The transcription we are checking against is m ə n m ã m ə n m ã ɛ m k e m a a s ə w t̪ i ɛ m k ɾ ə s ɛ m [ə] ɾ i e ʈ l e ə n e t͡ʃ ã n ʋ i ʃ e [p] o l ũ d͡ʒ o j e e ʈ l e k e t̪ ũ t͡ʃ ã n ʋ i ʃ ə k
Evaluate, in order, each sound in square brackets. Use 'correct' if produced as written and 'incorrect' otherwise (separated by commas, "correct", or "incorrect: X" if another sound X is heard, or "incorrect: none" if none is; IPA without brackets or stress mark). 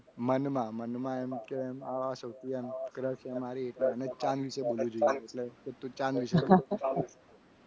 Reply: incorrect: a, incorrect: b